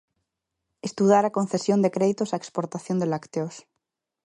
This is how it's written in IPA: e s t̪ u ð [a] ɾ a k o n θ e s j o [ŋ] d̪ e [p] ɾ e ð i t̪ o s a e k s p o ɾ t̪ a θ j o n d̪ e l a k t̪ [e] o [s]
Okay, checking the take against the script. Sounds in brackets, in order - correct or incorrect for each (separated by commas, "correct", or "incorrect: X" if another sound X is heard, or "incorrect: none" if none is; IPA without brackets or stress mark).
correct, incorrect: n, incorrect: k, correct, correct